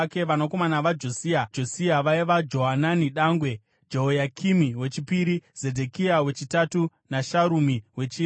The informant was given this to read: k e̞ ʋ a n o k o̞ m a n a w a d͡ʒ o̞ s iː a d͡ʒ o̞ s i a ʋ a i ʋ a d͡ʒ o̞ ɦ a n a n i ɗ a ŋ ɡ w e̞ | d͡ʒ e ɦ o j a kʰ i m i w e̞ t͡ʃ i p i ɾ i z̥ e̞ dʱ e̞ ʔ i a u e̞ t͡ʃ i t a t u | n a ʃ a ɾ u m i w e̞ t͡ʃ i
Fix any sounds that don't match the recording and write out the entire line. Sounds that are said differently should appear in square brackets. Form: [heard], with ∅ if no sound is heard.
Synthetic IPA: k e̞ ʋ a n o k o̞ m a n a [ʋ] a d͡ʒ o̞ s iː a d͡ʒ o̞ s i a ʋ a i ʋ a d͡ʒ o̞ ɦ a n a n i ɗ a ŋ ɡ w e̞ | d͡ʒ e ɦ o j a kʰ i m i w e̞ t͡ʃ i p i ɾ i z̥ e̞ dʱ e̞ [k] i a [w] e̞ t͡ʃ i t a t u | n a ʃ a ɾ u m i w e̞ t͡ʃ i